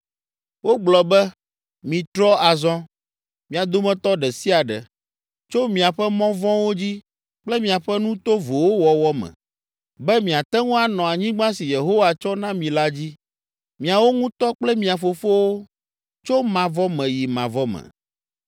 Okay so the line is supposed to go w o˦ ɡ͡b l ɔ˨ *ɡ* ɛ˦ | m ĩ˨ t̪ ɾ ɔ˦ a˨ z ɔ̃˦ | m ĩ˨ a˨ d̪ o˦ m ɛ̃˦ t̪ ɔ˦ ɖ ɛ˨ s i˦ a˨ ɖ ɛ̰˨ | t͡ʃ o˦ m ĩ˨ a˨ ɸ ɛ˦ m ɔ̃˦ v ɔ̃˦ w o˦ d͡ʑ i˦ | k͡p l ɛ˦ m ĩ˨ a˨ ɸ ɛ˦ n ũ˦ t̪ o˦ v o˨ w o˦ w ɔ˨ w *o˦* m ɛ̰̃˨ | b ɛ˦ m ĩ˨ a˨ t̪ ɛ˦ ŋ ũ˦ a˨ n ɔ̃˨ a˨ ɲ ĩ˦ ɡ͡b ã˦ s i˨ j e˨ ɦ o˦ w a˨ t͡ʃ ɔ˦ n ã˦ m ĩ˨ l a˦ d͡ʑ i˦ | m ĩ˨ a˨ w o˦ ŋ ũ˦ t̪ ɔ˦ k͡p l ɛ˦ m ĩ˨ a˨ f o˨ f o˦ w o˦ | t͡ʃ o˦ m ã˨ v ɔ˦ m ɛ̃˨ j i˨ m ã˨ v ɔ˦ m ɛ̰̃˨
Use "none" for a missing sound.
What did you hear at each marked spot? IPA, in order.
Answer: b, ɔ˦

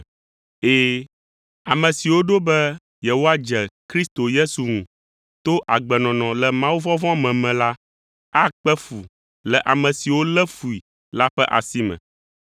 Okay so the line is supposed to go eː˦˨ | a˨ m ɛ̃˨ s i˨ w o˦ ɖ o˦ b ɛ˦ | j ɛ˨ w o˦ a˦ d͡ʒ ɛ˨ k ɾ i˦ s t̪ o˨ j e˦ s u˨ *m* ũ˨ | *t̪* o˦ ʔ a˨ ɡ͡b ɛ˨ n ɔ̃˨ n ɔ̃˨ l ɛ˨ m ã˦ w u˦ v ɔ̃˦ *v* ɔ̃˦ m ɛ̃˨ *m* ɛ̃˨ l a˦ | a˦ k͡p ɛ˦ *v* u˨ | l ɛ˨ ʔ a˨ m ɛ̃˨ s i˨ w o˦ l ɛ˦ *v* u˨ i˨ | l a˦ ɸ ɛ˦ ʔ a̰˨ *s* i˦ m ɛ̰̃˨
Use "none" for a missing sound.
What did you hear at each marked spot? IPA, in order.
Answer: ŋ, t̪, v, m, f, f, s

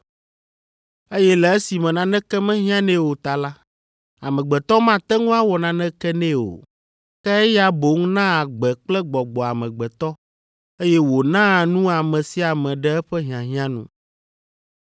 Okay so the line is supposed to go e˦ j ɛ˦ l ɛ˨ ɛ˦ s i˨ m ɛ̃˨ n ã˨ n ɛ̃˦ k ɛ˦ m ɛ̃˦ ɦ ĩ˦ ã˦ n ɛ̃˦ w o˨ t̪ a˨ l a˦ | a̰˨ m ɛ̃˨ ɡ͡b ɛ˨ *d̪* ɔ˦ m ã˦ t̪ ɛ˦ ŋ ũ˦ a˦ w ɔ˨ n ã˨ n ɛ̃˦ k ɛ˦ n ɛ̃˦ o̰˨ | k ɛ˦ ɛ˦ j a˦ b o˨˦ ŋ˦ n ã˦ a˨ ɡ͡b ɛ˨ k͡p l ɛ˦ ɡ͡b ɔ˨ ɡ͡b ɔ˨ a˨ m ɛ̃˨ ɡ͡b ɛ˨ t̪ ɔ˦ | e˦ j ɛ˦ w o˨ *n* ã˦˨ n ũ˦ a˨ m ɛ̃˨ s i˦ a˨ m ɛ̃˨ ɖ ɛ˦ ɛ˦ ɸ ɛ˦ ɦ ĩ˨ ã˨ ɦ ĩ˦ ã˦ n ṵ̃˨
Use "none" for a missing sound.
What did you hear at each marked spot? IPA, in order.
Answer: t̪, n

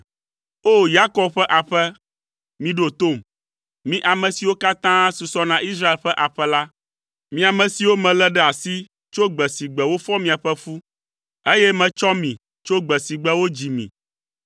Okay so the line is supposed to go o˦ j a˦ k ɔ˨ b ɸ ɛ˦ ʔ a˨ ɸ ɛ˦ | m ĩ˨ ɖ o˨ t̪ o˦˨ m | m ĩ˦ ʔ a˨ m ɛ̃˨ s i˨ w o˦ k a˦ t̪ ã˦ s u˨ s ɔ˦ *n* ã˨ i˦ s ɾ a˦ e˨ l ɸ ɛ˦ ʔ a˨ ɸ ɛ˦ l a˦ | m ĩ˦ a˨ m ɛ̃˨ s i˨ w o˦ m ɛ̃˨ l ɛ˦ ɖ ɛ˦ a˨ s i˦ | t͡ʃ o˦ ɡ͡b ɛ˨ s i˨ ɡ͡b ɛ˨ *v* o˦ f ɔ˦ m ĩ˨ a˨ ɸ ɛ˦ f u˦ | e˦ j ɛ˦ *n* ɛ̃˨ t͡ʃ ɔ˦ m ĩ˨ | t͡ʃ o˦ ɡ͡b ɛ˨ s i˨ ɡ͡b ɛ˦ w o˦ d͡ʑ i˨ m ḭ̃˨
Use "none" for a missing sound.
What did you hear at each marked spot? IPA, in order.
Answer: n, w, m

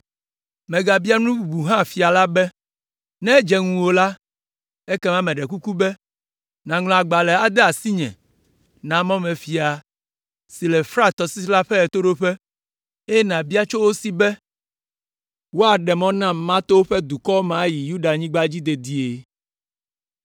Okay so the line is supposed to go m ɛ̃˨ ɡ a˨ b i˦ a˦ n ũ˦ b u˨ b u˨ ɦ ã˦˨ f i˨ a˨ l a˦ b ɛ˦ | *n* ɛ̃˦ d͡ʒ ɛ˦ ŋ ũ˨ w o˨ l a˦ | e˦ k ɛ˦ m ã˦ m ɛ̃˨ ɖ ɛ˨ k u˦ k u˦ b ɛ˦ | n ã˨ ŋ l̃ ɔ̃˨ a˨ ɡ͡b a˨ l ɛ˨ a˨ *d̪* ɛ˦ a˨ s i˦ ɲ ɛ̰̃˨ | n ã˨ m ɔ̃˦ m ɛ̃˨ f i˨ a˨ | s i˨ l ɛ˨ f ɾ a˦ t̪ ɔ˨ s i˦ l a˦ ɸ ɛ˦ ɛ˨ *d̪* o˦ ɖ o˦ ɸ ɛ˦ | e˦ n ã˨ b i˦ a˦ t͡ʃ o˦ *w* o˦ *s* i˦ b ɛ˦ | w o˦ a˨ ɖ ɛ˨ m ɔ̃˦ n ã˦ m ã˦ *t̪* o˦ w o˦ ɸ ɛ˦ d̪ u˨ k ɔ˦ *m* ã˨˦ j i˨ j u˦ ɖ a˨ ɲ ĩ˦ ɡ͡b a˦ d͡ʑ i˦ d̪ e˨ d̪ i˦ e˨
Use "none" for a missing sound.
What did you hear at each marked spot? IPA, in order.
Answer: n, d̪, t̪, w, s, t̪, m

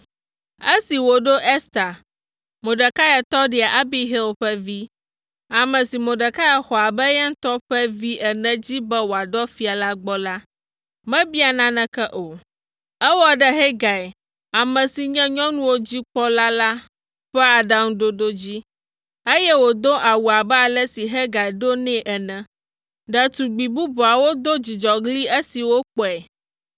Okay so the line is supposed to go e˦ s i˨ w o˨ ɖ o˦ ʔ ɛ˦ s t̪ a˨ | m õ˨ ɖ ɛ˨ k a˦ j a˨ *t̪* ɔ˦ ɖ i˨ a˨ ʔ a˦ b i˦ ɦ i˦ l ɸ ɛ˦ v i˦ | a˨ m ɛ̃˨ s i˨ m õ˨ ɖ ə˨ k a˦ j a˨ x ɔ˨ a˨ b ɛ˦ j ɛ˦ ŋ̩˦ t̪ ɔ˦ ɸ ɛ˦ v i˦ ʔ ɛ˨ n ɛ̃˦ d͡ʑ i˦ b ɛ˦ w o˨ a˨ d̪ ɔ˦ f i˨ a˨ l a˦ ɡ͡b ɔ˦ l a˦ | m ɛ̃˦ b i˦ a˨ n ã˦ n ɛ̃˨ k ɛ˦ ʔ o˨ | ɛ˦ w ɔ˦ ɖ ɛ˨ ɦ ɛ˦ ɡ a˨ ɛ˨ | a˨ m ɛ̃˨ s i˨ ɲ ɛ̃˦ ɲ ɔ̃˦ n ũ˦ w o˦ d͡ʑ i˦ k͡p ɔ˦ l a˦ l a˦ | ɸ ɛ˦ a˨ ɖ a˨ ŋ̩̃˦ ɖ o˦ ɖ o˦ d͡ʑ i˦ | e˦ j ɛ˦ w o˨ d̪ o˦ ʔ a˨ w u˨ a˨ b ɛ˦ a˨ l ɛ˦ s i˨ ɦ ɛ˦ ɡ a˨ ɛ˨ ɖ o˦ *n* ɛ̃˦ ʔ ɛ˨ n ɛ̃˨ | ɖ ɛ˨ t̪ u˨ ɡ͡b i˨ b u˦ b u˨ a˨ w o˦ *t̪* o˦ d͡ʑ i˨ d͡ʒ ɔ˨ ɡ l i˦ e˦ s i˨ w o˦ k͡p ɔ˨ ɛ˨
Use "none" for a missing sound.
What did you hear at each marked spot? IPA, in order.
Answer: t̪, n, d̪

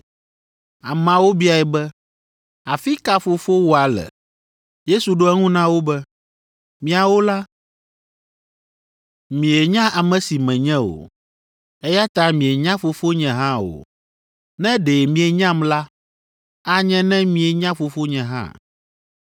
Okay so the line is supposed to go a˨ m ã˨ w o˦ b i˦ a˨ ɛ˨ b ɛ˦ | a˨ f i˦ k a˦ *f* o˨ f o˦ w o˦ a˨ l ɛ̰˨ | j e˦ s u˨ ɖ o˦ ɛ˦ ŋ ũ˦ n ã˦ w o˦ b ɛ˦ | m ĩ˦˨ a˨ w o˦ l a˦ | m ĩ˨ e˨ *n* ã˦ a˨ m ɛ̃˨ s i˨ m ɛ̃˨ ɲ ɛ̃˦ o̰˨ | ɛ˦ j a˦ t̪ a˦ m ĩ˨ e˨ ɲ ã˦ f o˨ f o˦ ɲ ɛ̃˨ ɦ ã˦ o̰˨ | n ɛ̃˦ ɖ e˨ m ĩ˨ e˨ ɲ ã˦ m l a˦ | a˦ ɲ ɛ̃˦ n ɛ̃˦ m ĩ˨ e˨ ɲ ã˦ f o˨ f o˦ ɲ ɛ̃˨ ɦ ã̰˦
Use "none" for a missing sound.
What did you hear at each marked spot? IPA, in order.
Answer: f, ɲ

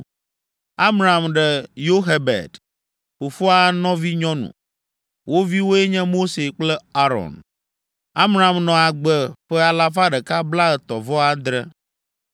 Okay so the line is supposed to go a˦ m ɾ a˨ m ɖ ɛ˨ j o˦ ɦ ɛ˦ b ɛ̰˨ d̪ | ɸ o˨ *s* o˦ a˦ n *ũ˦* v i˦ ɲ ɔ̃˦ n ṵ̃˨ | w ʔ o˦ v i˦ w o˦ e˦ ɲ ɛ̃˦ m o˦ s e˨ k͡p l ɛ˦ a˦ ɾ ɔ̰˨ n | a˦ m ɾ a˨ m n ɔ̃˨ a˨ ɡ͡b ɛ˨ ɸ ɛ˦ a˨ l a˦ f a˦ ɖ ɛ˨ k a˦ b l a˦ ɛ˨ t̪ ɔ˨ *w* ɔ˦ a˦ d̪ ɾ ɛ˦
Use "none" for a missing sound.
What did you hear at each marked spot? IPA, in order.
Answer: f, ɔ̃˦, v

